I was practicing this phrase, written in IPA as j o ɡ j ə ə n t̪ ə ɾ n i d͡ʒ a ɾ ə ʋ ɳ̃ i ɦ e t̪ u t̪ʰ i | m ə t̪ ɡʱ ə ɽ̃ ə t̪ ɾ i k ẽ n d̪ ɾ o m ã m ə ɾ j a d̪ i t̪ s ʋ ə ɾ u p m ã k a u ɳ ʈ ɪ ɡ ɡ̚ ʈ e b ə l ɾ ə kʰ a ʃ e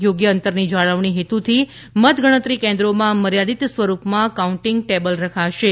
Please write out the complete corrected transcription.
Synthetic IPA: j o ɡ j ə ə n t̪ ə ɾ n i d͡ʒ a ɭ ə ʋ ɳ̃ i ɦ e t̪ u t̪ʰ i | m ə t̪ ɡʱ ə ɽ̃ ə t̪ ɾ i k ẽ n d̪ ɾ o m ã m ə ɾ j a d̪ i t̪ s ʋ ə ɾ u p m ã k a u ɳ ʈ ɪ ŋ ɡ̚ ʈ e b ə l ɾ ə kʰ a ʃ e

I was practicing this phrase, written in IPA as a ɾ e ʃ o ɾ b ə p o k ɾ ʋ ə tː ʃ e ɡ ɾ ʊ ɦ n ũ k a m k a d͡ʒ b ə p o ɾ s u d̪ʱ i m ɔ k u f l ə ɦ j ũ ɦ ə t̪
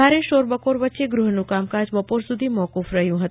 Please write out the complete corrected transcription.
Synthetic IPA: a ɾ e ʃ o ɾ b ə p o ɾ ʋ ə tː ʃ e ɡ ɾ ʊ ɦ n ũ k a m k a d͡ʒ b ə p o ɾ s u d̪ʱ i m ɔ k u f ɾ ə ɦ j ũ ɦ ə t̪

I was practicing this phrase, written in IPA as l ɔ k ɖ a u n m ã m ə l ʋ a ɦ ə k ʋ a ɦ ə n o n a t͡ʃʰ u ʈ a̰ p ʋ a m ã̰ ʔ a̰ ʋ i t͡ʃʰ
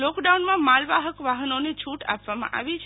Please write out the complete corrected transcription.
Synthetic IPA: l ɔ k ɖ a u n m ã m a l ʋ a ɦ ə k ʋ a ɦ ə n o n e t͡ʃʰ u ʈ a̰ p ʋ a m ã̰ ʔ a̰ ʋ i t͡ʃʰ

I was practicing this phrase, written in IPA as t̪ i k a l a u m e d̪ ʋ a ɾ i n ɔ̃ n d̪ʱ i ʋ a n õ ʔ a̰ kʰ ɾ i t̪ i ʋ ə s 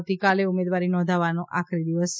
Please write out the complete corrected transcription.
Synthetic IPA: t̪ i k a l e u m e d̪ ʋ a ɾ i n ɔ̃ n d̪ʱ a ʋ a n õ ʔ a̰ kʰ ɾ i d̪ i ʋ ə s

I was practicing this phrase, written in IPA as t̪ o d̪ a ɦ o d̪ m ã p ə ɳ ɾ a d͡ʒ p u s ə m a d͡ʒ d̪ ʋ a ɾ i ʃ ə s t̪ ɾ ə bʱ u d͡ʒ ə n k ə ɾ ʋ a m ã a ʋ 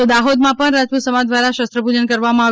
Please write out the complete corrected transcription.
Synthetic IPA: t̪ o d̪ a ɦ o d̪ m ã p ə ɳ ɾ a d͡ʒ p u s ə m a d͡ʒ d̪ ʋ a ɾ a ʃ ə s t̪ ɾ ə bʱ u d͡ʒ ə n k ə ɾ ʋ a m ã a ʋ

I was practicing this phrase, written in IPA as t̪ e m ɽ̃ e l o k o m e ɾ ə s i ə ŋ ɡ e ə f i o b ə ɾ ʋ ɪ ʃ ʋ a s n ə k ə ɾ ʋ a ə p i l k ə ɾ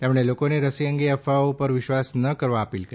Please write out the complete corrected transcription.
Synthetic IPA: t̪ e m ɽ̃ e l o k o n e ɾ ə s i ə ŋ ɡ e ə f a o p ə ɾ ʋ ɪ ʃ ʋ a s n ə k ə ɾ ʋ a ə p i l k ə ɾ

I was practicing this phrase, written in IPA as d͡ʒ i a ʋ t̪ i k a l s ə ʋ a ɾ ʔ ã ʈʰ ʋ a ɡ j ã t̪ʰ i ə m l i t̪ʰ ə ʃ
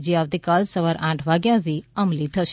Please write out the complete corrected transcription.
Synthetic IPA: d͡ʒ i a ʋ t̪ i k a l s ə ʋ a ɾ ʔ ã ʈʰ ʋ a ɡ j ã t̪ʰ i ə m l i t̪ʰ ə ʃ

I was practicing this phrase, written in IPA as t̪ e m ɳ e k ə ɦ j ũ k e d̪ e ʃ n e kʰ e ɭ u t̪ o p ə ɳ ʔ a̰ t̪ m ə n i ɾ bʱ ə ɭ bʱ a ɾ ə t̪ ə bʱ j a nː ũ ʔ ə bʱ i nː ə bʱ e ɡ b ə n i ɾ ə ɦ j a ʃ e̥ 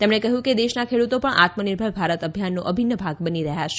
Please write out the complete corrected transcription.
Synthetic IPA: t̪ e m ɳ e k ə ɦ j ũ k e d̪ e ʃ n a kʰ e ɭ u t̪ o p ə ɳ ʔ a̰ t̪ m ə n i ɾ bʱ ə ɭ bʱ a ɾ ə t̪ ə bʱ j a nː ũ ʔ ə bʱ i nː ə bʱ a ɡ b ə n i ɾ ə ɦ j a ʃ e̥

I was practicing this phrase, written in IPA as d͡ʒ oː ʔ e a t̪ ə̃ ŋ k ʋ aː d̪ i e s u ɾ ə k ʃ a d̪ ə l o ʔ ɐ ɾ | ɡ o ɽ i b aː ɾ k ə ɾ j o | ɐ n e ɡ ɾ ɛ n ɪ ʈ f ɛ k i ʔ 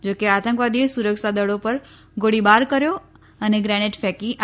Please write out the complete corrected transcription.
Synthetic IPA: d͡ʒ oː k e a t̪ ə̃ ŋ k ʋ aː d̪ i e s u ɾ ə k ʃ a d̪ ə ɽ o p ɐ ɾ | ɡ o ɽ i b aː ɾ k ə ɾ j o | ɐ n e ɡ ɾ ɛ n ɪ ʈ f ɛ k i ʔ

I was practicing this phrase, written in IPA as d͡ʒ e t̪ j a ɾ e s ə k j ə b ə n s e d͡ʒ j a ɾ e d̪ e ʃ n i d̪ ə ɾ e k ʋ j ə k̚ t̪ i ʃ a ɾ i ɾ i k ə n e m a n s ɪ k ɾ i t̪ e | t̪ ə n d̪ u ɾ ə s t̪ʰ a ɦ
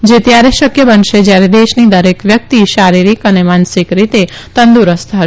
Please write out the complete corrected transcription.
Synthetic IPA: d͡ʒ e t̪ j a ɾ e ʃ ə k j ə b ə n ʃ e d͡ʒ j a ɾ e d̪ e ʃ n i d̪ ə ɾ e k ʋ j ə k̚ t̪ i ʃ a ɾ i ɾ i k ə n e m a n s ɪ k ɾ i t̪ e | t̪ ə n d̪ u ɾ ə s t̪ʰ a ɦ

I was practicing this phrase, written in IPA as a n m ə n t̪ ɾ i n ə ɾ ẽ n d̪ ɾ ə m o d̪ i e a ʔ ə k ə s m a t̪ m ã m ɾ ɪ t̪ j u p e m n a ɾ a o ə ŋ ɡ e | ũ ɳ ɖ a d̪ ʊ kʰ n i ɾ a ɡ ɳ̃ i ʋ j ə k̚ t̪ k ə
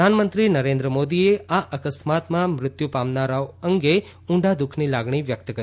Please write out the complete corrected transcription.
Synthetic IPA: a n m ə n t̪ ɾ i n ə ɾ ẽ n d̪ ɾ ə m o d̪ i e a ʔ ə k ə s m a t̪ m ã m ɾ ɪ t̪ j u p a m n a ɾ a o ə ŋ ɡ e | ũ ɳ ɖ a d̪ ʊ kʰ n i l a ɡ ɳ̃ i ʋ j ə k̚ t̪ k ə

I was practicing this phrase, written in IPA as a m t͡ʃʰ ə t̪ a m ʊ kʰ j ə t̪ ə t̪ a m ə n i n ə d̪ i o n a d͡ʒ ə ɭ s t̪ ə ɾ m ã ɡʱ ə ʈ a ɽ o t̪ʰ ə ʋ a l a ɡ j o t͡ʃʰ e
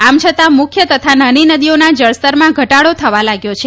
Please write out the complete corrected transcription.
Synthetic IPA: a m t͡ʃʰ ə t̪ a m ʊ kʰ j ə t̪ ə t̪ʰ a n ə n i n ə d̪ i o n a d͡ʒ ə ɭ s t̪ ə ɾ m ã ɡʱ ə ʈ a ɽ o t̪ʰ ə ʋ a l a ɡ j o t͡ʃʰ e

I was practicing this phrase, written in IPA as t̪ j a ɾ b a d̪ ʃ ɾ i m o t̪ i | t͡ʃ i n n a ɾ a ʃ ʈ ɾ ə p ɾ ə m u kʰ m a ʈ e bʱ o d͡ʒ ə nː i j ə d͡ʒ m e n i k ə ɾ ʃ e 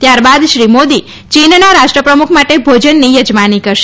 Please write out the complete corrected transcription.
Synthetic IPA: t̪ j a ɾ b a d̪ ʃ ɾ i m o d̪ i | t͡ʃ i n n a ɾ a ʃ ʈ ɾ ə p ɾ ə m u kʰ m a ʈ e bʱ o d͡ʒ ə nː i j ə d͡ʒ m a n i k ə ɾ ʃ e

